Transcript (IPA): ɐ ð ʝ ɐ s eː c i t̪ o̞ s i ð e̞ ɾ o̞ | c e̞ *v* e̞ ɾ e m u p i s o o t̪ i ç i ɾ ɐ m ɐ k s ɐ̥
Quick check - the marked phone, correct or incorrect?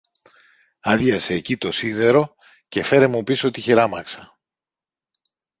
incorrect